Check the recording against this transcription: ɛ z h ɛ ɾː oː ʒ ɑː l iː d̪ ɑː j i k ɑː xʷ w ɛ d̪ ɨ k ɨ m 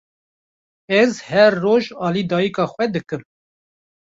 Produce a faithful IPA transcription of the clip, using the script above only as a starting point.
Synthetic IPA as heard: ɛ z h ɛ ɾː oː ʒ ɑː l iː d̪ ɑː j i k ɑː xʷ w ɛ d̪ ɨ k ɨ m